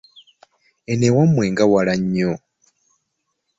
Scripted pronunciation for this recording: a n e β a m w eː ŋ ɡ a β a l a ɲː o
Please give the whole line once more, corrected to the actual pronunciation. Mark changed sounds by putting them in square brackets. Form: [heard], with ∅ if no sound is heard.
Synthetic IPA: [e] n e [w] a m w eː ŋ ɡ a [w] a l a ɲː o